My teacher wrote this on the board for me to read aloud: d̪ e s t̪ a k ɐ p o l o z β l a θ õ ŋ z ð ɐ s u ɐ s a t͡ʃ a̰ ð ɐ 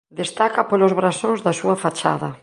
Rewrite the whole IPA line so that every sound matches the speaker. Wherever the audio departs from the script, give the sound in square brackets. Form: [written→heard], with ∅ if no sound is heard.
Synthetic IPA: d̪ e s t̪ a k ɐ p o l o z β [l→ɾ] a [θ→s] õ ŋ z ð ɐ s u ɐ [s→f] a t͡ʃ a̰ ð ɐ